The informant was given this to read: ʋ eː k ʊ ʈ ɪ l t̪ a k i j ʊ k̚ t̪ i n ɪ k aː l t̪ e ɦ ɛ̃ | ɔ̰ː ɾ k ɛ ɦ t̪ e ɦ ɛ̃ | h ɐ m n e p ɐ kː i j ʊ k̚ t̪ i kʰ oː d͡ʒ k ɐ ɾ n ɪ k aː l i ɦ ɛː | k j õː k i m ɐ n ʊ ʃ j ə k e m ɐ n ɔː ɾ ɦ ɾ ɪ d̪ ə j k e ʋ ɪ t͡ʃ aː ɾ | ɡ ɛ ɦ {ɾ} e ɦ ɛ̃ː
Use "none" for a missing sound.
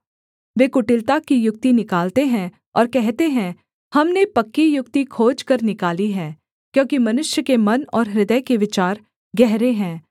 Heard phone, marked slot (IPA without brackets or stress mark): ɾ